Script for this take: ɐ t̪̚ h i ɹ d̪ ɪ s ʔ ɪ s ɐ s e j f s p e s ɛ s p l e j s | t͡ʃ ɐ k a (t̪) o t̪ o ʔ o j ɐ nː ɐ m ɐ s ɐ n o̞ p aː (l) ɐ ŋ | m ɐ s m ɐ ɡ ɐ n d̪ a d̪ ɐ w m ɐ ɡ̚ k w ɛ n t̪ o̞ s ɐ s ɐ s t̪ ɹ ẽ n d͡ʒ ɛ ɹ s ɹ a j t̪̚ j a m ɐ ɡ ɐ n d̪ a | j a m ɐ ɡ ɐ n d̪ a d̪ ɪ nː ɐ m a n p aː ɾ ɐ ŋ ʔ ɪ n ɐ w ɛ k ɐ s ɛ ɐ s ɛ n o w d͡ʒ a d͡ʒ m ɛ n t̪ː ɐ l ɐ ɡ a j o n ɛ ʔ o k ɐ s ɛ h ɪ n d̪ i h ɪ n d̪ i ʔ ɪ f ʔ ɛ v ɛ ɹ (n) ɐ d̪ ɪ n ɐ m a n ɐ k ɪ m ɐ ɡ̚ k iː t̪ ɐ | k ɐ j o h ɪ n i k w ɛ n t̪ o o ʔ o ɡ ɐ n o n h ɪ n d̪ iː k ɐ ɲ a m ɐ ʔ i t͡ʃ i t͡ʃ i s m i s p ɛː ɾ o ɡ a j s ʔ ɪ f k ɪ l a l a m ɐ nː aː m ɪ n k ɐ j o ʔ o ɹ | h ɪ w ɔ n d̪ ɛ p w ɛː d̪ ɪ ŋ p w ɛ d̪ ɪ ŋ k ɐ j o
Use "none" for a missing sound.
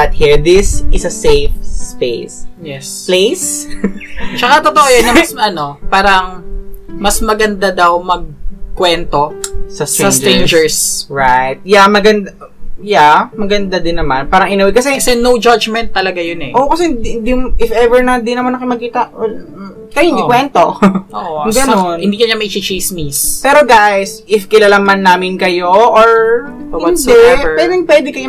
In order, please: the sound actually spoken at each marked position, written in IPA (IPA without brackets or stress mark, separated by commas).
t̪, ɾ, n